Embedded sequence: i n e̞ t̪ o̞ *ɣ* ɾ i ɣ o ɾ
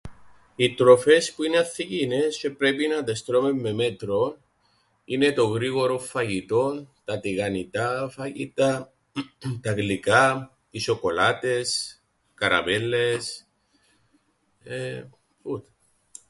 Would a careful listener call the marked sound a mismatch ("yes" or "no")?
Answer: no